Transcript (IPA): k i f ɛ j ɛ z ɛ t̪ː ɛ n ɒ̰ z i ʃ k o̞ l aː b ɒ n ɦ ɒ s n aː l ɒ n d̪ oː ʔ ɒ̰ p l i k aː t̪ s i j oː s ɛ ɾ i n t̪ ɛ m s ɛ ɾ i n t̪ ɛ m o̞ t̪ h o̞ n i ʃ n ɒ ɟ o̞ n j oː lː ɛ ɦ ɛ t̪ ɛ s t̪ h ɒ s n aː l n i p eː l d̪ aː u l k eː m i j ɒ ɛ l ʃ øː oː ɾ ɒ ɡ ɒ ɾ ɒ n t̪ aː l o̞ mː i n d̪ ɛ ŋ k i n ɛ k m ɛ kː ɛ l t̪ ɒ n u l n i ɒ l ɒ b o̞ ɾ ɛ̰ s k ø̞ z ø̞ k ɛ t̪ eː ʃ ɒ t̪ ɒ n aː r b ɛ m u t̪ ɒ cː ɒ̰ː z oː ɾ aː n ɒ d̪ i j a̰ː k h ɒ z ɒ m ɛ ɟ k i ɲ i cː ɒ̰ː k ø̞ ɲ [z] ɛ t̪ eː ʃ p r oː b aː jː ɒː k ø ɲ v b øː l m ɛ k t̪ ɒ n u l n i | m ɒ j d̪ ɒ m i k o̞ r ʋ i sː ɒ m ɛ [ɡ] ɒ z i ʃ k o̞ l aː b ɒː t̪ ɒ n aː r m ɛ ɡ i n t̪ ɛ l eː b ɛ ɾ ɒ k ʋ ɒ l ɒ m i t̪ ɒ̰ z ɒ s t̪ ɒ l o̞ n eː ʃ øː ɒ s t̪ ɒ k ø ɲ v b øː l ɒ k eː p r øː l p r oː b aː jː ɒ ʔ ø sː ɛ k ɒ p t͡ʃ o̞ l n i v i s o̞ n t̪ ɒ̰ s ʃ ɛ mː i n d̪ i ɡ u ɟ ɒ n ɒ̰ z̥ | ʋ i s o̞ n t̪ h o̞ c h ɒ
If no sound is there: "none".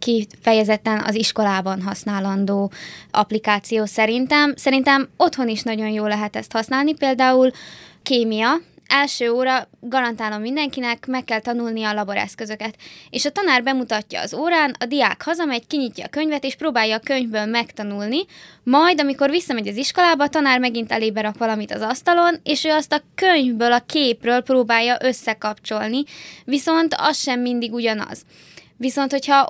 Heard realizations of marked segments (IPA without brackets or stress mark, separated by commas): v, ɟ